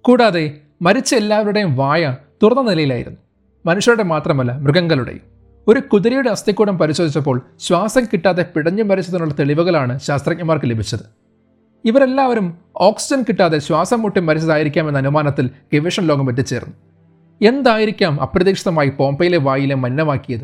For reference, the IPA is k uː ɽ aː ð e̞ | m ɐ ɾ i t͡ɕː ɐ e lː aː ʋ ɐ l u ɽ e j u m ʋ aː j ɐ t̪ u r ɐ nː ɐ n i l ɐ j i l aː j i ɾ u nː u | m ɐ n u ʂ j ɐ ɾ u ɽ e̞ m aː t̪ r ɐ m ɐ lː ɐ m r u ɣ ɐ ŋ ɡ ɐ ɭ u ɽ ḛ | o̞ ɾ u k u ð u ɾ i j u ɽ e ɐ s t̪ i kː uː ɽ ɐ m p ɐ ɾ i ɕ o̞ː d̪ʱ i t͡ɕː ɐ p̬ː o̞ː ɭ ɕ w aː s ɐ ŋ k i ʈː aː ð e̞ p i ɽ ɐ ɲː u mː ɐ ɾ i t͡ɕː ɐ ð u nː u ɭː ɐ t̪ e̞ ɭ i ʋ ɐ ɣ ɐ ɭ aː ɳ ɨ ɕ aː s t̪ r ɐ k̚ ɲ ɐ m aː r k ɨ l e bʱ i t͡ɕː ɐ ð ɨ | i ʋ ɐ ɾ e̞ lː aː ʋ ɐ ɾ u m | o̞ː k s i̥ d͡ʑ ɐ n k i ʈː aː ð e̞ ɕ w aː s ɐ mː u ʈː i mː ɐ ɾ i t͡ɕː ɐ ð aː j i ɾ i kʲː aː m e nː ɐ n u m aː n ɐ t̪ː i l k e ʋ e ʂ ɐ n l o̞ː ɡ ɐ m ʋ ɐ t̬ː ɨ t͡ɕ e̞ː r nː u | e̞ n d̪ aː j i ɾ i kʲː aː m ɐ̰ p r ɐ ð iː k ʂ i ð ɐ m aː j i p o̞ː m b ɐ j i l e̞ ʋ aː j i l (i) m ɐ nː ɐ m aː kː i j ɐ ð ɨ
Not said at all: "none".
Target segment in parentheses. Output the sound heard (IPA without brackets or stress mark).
e